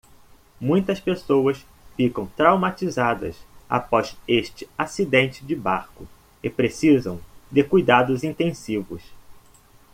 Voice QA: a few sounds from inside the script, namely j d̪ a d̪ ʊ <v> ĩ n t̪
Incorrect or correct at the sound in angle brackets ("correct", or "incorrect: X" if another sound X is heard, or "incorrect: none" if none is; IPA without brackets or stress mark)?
incorrect: z